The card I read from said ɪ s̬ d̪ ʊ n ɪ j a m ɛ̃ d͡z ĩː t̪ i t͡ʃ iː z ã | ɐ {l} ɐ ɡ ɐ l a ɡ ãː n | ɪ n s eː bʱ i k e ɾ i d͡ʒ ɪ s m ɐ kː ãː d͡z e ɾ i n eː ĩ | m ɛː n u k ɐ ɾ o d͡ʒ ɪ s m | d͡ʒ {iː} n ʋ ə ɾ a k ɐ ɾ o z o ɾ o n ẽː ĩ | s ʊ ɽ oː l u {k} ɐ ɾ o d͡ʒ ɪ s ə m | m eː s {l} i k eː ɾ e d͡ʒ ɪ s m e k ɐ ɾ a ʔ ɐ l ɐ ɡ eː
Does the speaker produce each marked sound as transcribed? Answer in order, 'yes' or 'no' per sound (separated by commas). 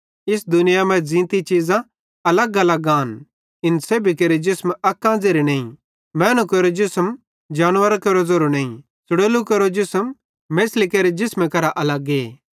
yes, no, yes, yes